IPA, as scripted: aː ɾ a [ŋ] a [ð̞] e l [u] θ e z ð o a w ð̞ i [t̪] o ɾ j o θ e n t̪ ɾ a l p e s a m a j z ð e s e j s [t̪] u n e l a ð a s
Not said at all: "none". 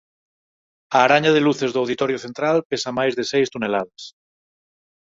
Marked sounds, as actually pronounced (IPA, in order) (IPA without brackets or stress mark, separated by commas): ɲ, ð̞, u, t̪, t̪